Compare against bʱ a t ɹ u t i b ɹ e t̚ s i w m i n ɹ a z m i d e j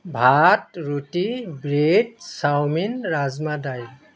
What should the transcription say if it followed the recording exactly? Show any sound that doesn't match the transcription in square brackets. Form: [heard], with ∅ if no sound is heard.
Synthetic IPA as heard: bʱ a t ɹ u t i b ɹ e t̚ s [a] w m i n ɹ a z m [a] d [a] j